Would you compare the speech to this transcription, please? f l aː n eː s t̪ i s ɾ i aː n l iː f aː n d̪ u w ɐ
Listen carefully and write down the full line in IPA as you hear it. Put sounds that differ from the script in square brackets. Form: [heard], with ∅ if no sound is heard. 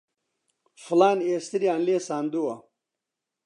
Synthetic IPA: f l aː n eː s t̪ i [∅] ɾ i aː n l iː [s] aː n d̪ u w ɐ